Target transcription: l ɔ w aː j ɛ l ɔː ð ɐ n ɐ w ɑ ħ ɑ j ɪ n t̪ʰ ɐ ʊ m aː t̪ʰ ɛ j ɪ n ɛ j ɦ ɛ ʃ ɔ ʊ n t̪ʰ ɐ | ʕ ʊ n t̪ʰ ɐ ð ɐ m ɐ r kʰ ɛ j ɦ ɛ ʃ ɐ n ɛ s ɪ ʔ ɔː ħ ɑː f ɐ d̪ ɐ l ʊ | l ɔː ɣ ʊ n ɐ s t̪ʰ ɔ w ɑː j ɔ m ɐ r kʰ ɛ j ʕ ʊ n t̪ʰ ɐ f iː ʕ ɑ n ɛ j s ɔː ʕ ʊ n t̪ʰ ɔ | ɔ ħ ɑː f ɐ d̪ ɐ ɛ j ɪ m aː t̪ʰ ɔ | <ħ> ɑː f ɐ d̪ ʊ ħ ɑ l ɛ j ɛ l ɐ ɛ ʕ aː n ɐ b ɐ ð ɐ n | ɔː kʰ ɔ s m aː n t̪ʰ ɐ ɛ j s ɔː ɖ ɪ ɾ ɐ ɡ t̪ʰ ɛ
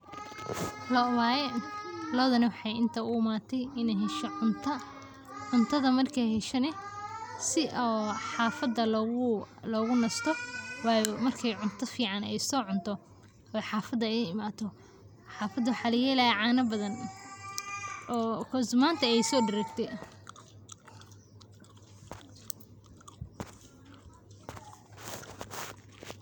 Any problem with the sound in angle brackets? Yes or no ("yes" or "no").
no